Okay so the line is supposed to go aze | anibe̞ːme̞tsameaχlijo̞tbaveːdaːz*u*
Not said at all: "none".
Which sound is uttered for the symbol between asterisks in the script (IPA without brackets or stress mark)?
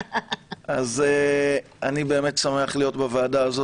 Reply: o